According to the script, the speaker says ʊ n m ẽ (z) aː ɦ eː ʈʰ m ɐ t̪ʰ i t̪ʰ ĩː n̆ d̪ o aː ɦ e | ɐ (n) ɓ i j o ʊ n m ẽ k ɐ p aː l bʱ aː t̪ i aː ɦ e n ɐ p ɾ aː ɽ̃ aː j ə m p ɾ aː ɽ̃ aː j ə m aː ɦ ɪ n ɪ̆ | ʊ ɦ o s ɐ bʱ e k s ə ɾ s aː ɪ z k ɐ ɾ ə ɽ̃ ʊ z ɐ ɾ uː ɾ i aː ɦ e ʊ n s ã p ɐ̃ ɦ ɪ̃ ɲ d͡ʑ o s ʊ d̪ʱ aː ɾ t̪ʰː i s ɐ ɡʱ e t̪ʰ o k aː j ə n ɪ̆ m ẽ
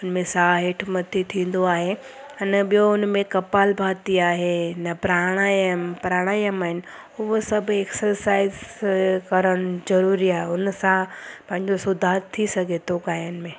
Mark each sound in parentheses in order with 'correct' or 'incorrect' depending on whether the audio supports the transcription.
incorrect: s, correct

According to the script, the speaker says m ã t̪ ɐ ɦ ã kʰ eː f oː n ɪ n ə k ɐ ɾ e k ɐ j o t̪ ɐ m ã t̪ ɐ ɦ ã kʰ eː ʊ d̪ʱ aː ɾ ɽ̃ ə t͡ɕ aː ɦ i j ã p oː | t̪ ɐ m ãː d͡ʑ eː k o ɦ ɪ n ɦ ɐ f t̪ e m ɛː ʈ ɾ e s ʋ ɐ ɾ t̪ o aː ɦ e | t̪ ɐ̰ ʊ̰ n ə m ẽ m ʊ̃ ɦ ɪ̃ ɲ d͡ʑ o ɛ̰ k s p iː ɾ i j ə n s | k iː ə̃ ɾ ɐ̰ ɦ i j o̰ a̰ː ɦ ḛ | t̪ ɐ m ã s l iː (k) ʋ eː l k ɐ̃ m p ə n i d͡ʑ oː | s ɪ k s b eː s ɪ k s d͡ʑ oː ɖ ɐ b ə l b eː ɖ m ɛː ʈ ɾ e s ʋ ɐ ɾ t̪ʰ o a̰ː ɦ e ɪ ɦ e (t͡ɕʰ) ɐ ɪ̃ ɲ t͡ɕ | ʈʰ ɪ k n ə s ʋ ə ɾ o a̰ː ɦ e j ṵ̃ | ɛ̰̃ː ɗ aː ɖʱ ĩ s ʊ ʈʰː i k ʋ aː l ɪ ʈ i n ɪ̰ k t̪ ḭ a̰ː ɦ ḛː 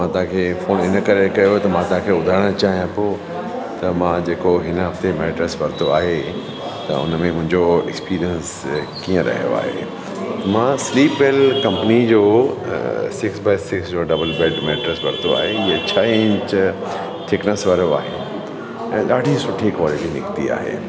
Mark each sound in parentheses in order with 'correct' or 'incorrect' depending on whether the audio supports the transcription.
incorrect: p, correct

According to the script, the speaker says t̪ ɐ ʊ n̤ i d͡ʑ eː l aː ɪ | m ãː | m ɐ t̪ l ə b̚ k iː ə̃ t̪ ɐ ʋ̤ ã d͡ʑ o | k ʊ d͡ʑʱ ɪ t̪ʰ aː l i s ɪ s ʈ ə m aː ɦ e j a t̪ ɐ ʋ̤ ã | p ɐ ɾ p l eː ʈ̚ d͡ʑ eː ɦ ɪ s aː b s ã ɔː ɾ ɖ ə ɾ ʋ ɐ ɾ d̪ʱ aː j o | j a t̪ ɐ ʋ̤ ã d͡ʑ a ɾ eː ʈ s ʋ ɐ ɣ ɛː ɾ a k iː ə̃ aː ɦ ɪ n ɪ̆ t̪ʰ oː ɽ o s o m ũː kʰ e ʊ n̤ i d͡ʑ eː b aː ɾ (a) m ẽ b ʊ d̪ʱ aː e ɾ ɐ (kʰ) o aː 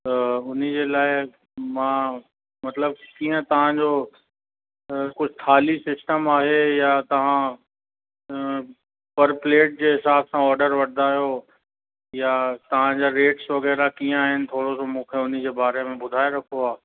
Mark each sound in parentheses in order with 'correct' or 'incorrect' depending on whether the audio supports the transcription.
incorrect: e, correct

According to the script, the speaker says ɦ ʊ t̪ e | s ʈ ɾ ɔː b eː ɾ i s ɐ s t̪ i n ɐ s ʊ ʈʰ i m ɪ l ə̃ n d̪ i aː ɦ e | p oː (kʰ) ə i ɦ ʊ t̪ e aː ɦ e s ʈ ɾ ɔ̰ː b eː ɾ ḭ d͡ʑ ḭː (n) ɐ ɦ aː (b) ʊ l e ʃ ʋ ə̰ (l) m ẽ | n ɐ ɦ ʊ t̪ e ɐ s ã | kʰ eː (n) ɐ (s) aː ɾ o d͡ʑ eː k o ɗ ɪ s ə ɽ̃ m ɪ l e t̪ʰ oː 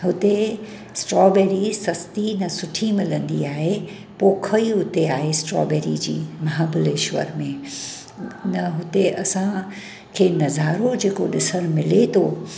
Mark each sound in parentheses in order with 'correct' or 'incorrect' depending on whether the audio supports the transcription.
correct, incorrect: m, correct, incorrect: ɾ, correct, incorrect: z

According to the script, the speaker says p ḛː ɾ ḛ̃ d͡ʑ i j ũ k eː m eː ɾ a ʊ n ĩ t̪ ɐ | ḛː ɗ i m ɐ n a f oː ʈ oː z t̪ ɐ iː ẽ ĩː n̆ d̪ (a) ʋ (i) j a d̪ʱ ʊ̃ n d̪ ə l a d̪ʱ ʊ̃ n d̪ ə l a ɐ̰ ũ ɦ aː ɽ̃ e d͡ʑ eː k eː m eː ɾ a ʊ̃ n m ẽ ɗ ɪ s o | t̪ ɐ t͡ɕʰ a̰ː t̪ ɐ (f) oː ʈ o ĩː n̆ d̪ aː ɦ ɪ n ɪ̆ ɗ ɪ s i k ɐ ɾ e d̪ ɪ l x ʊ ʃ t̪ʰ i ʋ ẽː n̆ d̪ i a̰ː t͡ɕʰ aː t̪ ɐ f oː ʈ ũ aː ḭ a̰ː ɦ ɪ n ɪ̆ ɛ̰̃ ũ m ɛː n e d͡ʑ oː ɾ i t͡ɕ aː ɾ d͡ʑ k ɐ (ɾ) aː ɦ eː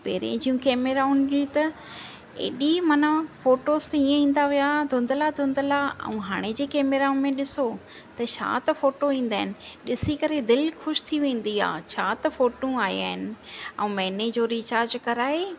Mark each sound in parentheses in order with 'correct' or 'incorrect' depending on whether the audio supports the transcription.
correct, correct, correct, correct

